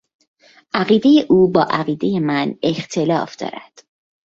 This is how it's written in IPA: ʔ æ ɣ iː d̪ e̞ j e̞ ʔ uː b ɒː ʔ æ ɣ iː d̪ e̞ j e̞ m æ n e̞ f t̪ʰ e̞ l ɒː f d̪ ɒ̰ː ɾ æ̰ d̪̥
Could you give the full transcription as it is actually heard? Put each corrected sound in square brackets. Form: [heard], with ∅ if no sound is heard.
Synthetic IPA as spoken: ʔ æ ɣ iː d̪ e̞ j e̞ ʔ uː b ɒː ʔ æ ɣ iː d̪ e̞ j e̞ m æ n e̞ [x] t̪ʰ e̞ l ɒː f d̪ ɒ̰ː ɾ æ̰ d̪̥